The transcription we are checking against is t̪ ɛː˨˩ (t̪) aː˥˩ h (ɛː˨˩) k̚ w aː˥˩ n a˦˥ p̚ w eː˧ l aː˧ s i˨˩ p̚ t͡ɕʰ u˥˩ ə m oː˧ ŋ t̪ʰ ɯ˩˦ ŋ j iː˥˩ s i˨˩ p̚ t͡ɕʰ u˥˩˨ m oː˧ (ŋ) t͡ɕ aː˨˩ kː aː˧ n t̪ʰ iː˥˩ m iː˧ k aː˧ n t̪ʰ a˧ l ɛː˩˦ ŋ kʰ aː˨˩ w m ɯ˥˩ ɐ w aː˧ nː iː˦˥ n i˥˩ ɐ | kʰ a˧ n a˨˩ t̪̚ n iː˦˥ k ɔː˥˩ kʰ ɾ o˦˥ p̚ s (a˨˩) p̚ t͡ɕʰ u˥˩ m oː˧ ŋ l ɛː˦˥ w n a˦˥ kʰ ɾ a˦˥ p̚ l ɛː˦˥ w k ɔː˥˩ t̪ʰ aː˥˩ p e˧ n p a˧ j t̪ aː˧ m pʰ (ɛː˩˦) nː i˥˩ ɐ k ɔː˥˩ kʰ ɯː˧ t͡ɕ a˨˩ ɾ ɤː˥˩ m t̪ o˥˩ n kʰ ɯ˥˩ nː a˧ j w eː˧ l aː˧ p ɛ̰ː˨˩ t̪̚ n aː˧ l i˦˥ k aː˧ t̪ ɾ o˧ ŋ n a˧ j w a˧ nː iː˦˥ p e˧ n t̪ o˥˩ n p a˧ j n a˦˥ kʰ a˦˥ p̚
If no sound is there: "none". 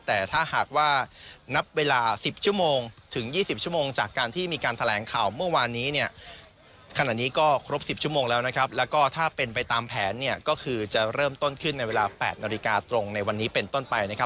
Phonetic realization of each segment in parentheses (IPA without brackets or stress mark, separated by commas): t̪ʰ, aː˨˩, ŋ, i˨˩, ɛː˩˦